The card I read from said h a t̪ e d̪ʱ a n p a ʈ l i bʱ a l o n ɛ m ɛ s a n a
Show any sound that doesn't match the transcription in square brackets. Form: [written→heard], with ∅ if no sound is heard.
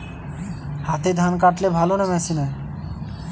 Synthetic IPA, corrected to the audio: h a t̪ e d̪ʱ a n [p→k] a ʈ l [i→e] bʱ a l o n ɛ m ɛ s [a→i] n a